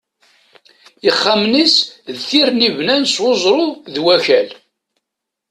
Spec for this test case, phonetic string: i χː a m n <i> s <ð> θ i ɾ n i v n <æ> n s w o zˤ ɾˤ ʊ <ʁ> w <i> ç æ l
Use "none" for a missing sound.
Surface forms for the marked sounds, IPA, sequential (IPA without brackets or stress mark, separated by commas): i, ð, æ, ð, æ